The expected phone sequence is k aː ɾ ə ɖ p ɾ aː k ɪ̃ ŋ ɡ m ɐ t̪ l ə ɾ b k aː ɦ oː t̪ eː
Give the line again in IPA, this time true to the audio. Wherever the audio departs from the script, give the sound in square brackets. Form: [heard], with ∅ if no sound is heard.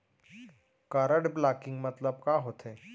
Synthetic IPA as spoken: k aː ɾ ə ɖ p [l] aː k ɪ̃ ŋ ɡ m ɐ t̪ l ə [∅] b k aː ɦ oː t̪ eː